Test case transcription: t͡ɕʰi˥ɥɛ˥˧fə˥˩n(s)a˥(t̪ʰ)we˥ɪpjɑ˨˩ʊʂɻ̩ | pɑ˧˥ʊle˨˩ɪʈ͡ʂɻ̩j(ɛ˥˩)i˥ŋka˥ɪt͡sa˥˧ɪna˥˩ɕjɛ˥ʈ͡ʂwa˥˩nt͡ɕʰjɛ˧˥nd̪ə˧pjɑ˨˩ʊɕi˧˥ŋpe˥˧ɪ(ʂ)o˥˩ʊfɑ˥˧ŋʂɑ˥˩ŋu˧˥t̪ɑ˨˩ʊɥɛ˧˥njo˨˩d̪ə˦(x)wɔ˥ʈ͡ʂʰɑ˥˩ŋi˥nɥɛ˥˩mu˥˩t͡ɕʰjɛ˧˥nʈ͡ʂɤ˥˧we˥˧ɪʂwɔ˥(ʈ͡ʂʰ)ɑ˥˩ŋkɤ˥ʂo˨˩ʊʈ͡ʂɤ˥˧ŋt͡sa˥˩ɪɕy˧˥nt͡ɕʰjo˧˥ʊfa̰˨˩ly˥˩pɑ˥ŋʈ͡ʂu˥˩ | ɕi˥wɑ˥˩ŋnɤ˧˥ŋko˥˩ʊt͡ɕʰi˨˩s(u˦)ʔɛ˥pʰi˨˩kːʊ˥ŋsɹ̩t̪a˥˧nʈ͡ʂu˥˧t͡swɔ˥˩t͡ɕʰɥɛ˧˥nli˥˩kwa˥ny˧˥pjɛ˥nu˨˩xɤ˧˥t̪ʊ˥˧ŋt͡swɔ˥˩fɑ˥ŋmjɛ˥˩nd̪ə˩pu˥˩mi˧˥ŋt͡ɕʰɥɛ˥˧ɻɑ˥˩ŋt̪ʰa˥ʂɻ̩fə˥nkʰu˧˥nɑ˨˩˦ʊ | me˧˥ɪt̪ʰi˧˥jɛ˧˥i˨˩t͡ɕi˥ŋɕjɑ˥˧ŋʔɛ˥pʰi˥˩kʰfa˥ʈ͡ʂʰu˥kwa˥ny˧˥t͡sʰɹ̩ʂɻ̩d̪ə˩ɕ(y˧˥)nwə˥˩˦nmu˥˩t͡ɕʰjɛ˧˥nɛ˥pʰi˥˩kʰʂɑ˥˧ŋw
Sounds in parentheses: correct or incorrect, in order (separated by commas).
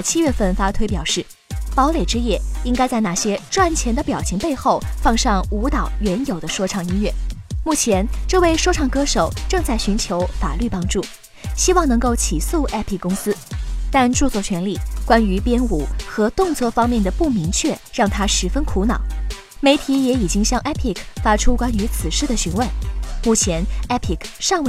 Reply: incorrect, correct, correct, incorrect, incorrect, correct, incorrect, correct